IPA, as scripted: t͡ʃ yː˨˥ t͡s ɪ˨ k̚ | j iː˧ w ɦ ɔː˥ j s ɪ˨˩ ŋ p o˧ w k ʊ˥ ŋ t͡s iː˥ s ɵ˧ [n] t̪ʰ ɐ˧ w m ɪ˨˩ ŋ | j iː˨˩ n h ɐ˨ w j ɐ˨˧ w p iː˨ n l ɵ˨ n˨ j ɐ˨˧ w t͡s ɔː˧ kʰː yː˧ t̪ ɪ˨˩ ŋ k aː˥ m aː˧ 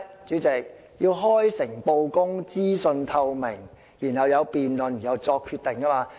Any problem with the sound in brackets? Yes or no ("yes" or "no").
no